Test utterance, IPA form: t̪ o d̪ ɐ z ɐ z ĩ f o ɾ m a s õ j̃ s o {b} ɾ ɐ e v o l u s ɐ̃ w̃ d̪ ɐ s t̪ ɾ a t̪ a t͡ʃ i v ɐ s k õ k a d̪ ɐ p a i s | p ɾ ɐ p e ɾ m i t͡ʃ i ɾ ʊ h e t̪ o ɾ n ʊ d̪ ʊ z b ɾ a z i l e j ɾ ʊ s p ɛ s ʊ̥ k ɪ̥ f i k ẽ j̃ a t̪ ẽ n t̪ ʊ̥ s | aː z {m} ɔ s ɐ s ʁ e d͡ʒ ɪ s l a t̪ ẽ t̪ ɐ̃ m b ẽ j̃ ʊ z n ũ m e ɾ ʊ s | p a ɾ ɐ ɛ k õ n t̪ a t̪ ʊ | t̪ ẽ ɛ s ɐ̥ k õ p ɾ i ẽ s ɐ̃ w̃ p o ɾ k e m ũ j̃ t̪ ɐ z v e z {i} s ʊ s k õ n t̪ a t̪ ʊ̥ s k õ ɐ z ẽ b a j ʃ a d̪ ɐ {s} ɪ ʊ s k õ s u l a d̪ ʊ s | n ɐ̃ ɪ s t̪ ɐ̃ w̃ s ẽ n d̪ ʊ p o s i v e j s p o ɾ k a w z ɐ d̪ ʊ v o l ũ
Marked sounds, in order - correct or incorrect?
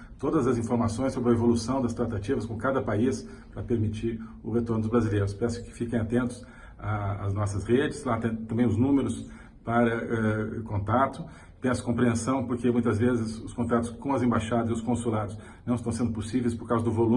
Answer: correct, incorrect: n, incorrect: ɪ, incorrect: z

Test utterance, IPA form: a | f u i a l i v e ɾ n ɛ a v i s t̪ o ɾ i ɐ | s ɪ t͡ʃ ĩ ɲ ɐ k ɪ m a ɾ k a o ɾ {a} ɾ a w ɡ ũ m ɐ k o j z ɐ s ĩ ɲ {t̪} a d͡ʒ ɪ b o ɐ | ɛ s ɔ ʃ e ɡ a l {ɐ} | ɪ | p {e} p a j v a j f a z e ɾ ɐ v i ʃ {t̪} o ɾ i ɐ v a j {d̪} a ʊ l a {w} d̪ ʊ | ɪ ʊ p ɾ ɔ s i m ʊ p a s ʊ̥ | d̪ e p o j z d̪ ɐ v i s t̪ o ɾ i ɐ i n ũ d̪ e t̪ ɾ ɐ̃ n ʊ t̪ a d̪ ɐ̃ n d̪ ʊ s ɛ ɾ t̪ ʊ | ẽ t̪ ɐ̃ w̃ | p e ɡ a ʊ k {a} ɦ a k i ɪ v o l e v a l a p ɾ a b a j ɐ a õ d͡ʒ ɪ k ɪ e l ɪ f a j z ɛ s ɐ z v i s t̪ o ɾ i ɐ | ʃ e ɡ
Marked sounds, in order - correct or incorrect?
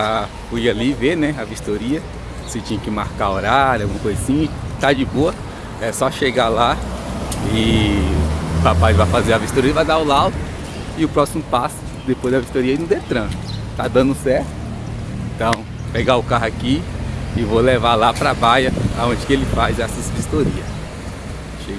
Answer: correct, correct, incorrect: a, incorrect: a, correct, correct, correct, correct

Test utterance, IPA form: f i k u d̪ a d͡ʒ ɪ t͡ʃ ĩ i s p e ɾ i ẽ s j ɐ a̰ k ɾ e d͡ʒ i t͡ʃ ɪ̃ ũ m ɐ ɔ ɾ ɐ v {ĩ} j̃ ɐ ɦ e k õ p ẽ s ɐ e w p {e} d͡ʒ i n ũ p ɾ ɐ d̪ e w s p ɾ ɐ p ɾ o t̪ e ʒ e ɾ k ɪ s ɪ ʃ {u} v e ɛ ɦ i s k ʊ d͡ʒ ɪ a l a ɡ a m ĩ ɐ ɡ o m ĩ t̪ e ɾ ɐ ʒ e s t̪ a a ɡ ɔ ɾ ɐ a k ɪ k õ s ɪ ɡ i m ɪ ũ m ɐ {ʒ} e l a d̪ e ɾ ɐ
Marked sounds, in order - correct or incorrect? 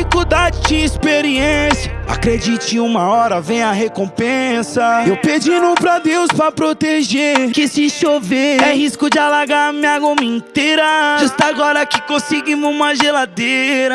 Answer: incorrect: ẽ, correct, incorrect: o, correct

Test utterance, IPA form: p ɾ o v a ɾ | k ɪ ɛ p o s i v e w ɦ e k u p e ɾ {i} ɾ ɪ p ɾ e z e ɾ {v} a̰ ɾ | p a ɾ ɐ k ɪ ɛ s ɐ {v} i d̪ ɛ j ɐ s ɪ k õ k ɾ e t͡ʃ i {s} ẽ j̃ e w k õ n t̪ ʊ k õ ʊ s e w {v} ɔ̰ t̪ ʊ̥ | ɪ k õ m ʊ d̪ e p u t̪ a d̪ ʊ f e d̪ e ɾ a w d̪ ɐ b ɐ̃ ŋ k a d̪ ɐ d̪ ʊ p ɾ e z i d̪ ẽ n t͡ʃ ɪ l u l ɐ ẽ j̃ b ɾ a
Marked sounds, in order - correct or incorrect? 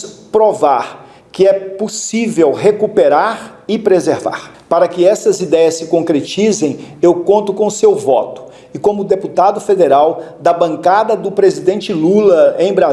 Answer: incorrect: a, correct, incorrect: z, incorrect: z, correct

